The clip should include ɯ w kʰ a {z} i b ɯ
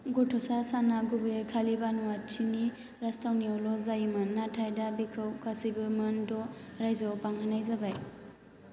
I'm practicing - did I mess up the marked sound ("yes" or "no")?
yes